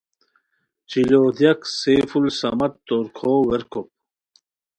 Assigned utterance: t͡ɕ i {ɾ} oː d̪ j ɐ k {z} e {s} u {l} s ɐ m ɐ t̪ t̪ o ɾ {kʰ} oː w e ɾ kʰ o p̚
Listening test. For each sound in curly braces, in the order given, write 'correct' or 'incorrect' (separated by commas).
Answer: incorrect, incorrect, incorrect, correct, correct